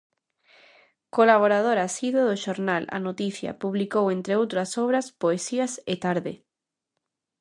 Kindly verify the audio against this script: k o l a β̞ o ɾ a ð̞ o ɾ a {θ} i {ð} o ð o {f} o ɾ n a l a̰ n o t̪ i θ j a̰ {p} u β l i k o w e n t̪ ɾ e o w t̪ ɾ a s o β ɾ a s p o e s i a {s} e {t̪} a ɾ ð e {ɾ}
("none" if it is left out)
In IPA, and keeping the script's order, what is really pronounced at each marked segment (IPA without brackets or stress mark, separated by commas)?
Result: s, ð, ʃ, p, s, t̪, none